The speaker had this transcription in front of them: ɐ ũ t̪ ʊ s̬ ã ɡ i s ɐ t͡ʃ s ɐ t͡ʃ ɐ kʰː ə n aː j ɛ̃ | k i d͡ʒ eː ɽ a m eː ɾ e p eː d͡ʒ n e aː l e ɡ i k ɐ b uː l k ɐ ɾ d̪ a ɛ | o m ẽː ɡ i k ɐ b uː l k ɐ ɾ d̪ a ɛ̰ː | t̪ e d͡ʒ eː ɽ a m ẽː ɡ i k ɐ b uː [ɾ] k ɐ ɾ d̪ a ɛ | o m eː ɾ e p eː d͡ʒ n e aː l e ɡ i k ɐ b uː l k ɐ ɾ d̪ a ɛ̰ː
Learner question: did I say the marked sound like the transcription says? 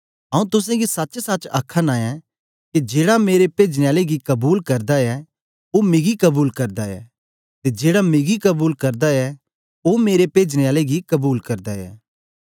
no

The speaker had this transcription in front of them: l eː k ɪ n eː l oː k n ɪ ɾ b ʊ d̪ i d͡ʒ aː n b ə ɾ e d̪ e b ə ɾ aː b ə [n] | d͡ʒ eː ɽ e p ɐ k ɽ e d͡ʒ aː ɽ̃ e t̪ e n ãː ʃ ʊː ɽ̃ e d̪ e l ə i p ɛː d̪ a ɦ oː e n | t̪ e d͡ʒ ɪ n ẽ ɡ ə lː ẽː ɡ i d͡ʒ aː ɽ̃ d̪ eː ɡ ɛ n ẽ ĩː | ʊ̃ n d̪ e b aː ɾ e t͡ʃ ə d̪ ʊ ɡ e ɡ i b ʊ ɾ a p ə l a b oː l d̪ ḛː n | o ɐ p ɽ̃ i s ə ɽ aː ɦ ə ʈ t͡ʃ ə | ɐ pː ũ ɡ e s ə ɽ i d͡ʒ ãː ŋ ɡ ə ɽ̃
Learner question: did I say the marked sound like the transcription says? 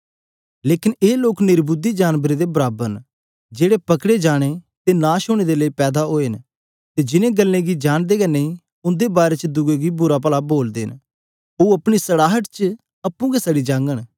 yes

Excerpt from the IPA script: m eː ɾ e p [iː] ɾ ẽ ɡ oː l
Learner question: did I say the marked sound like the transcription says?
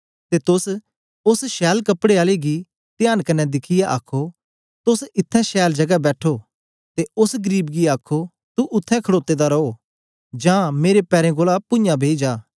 no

